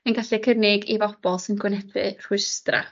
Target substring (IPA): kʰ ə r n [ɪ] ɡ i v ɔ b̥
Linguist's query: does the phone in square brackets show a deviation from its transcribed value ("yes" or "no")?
no